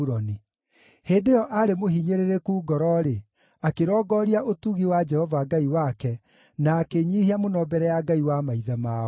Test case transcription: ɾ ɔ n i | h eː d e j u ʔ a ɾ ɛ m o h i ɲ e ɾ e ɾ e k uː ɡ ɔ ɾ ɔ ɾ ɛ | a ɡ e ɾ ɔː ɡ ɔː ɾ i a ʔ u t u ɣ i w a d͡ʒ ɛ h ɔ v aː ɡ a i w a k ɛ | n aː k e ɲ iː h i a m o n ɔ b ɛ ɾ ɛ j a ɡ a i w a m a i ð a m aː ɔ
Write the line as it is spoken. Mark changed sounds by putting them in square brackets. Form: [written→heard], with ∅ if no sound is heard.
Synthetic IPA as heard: ɾ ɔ n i | h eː d e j [u→ɔ] ʔ a ɾ [ɛ→e] m o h i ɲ e ɾ e ɾ e k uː ɡ ɔ ɾ ɔ ɾ [ɛ→e] | a [ɡ→k] e ɾ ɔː ɡ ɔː ɾ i a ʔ [u→o] t u ɣ i w a d͡ʒ ɛ h ɔ v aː ɡ a i w a k ɛ | n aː k e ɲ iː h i a m o n ɔ b ɛ ɾ ɛ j a ɡ a i w a m a i ð a m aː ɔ